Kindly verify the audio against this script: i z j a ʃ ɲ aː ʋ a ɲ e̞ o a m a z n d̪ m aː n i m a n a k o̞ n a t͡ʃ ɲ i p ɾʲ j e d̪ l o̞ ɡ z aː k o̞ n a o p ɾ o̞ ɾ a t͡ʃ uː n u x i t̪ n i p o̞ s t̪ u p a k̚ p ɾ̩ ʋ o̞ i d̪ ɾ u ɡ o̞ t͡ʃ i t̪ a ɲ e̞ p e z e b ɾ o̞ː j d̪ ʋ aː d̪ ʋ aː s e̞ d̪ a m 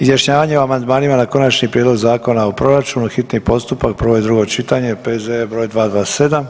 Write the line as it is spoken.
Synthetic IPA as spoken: i z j a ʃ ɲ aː ʋ a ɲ e̞ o a m a n d̪ m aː n i m a n a k o̞ n a t͡ʃ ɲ i p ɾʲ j e d̪ l o̞ ɡ z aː k o̞ n a o p ɾ o̞ ɾ a t͡ʃ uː n u x i t̪ n i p o̞ s t̪ u p a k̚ p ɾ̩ ʋ o̞ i d̪ ɾ u ɡ o̞ t͡ʃ i t̪ a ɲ e̞ p e z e b ɾ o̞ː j d̪ ʋ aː d̪ ʋ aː s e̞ d̪ a m